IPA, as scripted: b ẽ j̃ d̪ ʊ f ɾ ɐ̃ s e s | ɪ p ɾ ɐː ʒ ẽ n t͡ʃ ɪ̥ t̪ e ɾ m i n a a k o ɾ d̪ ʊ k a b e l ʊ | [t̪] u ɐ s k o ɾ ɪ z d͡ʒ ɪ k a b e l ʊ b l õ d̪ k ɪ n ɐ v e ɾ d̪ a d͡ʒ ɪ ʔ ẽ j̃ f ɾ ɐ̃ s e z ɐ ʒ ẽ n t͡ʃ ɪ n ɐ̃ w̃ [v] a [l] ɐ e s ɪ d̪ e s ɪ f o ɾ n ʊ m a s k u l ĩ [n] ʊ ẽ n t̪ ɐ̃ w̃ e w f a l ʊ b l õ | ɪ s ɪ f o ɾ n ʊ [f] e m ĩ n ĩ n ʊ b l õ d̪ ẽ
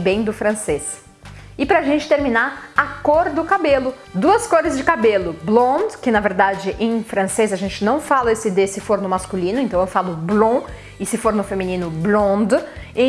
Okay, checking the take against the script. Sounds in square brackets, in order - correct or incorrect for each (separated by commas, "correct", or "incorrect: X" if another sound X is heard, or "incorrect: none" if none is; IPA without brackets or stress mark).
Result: incorrect: d̪, incorrect: f, correct, correct, correct